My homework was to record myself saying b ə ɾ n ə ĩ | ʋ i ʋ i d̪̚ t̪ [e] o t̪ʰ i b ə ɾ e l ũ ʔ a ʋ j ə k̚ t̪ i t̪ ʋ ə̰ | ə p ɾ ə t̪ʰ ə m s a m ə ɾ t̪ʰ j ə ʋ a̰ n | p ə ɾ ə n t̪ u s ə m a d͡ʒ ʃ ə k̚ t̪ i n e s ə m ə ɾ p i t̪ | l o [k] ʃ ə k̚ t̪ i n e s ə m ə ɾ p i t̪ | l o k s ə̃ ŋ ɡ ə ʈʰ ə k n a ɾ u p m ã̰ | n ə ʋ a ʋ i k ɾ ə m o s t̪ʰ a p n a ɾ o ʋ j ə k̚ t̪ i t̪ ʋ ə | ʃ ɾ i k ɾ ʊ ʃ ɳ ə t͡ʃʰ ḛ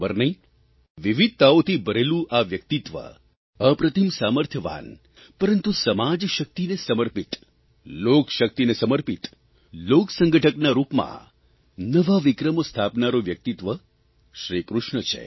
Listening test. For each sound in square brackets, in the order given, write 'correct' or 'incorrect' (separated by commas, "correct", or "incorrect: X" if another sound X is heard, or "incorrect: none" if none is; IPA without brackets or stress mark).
incorrect: a, correct